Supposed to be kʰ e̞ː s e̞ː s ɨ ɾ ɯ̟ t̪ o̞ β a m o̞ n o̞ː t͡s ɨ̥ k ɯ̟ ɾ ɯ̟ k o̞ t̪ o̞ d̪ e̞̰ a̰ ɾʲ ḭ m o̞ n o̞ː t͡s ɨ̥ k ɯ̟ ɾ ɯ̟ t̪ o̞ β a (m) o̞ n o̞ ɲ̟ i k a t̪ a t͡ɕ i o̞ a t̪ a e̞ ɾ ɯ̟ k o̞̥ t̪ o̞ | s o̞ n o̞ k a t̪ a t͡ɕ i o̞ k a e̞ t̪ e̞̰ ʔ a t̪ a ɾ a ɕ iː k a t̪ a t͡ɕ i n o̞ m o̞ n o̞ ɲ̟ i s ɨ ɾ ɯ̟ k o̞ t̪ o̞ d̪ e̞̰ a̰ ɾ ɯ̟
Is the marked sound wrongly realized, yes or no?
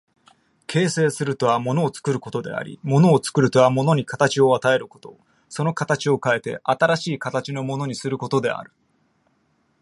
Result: no